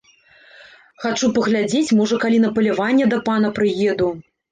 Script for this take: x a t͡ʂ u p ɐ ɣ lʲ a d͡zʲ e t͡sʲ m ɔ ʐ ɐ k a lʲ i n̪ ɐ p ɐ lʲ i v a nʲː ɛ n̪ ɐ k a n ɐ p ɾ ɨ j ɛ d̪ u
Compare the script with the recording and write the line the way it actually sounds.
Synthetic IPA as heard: x a t͡ʂ u p ɐ ɣ lʲ a d͡zʲ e t͡sʲ m ɔ ʐ ɐ k a lʲ i n̪ ɐ p ɐ lʲ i v a nʲː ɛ d̪ ɐ p a n ɐ p ɾ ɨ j ɛ d̪ u